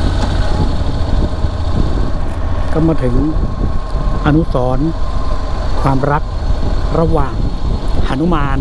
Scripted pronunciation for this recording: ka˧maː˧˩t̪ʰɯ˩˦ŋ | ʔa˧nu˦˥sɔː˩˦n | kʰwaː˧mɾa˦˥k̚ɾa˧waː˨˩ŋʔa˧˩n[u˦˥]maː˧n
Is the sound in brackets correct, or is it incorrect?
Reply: correct